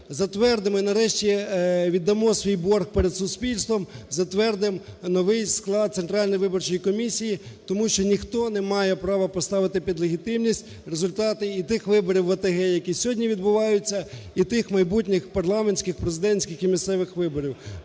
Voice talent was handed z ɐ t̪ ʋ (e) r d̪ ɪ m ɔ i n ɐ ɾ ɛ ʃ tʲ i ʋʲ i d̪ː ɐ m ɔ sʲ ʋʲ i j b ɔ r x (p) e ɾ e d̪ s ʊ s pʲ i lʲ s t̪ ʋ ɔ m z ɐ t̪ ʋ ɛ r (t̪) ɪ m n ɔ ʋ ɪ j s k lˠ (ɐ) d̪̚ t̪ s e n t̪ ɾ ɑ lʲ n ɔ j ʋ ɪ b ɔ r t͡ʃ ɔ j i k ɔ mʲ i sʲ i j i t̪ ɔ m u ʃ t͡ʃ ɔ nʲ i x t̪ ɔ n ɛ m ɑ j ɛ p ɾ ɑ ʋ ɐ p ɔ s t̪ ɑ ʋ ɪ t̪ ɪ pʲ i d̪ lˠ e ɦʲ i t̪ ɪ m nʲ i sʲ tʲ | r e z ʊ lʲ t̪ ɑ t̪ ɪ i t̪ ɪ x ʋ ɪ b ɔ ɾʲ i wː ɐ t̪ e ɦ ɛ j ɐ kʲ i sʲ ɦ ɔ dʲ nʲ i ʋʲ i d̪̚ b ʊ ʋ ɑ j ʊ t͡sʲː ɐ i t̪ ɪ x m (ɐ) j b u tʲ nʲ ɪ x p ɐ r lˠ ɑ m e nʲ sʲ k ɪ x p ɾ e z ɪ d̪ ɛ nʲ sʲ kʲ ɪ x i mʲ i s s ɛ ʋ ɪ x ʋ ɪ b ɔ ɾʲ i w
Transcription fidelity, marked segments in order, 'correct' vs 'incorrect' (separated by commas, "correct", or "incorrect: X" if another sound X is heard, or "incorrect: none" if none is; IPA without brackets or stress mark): incorrect: ɛ, correct, incorrect: d̪, incorrect: ɑ, correct